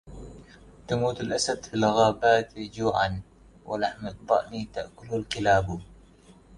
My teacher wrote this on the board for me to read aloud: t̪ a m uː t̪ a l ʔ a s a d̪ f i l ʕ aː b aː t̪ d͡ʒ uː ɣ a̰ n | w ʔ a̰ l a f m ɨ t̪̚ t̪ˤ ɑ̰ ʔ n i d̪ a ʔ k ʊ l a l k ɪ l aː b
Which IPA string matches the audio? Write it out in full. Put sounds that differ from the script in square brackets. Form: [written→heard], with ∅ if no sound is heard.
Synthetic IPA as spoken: t̪ a m uː t̪ a l ʔ a s a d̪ f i l [ʕ→ɣ] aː b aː t̪ d͡ʒ uː [ɣ→ʕ] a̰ n | w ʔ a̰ l a [f→ħ] m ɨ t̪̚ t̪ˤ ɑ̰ ʔ n i [d̪→t̪] a ʔ k ʊ l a l k ɪ l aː b